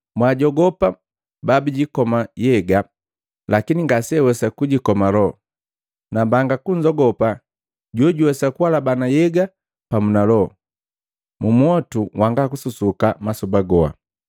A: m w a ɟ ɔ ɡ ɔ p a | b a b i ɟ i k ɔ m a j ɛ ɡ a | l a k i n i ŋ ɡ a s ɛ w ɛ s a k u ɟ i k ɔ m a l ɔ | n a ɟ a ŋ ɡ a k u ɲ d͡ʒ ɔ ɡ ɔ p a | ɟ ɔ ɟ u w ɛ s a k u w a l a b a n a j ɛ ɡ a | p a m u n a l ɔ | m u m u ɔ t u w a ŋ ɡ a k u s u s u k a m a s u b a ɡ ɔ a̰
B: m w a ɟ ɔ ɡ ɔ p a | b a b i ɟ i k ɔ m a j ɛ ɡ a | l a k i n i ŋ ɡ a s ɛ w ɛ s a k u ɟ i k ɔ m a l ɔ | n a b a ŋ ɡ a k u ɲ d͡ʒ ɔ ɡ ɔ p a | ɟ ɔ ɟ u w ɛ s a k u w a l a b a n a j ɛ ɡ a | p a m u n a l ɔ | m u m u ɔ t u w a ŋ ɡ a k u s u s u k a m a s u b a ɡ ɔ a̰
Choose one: B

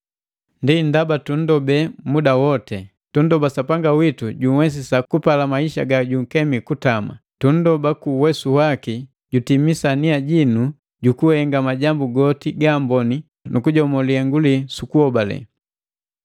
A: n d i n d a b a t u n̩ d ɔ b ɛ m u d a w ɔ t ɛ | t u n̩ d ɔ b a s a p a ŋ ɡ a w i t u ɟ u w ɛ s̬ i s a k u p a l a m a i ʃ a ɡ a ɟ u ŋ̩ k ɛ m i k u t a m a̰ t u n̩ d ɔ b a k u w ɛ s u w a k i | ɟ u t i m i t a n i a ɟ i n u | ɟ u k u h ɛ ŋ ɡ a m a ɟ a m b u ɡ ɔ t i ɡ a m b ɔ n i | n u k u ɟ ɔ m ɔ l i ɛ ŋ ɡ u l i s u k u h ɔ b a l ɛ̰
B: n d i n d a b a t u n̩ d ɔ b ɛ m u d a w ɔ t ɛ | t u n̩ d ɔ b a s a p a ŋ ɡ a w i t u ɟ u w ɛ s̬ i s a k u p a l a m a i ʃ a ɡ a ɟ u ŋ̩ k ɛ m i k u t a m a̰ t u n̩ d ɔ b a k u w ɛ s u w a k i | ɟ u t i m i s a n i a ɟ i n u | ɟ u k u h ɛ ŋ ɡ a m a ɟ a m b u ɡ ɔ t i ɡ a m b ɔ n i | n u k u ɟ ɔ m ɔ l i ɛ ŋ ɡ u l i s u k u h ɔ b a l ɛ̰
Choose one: B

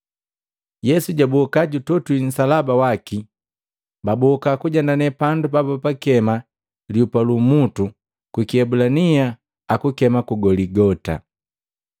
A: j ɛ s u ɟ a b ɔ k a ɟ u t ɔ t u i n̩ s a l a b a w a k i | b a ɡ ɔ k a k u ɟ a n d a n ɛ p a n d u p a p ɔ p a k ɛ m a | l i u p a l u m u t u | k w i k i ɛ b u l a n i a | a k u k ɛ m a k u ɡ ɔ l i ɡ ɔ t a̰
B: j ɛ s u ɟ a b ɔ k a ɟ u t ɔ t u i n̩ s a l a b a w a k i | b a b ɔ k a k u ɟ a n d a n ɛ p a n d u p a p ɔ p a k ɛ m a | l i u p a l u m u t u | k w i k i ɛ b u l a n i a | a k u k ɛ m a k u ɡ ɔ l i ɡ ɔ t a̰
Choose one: B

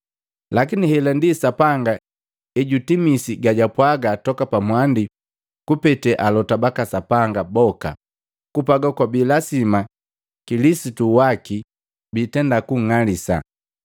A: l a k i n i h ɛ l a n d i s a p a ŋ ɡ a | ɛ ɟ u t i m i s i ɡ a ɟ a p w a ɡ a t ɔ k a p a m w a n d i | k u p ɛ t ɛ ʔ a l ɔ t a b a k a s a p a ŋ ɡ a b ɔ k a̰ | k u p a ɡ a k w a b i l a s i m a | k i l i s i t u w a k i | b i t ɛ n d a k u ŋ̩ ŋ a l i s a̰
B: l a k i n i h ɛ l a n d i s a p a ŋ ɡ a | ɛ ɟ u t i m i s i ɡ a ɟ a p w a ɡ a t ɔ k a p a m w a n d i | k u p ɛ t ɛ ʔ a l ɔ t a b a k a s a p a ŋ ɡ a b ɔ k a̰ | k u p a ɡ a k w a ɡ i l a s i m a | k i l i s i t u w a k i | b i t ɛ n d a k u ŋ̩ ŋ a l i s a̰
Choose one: A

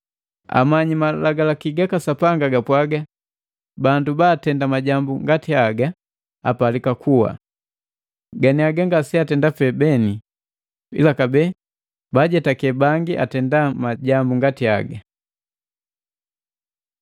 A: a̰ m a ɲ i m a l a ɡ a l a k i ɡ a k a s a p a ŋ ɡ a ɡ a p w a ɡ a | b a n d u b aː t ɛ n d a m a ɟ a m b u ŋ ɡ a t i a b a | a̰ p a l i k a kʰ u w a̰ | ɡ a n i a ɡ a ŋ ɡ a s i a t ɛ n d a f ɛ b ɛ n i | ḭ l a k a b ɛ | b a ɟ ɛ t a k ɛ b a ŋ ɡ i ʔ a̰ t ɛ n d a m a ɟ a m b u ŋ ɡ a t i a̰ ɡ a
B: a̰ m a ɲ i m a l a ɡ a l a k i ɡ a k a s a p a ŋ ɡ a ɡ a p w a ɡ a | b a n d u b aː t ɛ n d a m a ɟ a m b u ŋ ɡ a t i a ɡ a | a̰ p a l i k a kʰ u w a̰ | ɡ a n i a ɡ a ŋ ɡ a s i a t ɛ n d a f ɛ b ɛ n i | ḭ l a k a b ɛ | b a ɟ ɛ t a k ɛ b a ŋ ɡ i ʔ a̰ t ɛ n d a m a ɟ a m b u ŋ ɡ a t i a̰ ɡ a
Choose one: B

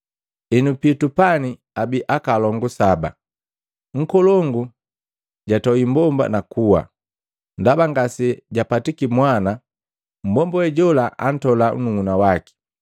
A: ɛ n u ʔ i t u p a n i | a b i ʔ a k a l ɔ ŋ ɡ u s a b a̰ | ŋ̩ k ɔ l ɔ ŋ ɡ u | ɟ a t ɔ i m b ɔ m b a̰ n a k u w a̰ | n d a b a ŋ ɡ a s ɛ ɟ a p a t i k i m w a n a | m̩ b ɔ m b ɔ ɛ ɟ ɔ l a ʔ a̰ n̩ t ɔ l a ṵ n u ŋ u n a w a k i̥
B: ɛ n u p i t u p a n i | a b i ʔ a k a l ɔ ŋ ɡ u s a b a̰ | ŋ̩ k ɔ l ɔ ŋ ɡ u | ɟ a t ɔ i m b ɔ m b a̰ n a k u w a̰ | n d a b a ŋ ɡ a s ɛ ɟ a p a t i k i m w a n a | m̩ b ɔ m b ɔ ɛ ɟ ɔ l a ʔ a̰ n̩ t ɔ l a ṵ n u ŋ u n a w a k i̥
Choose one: B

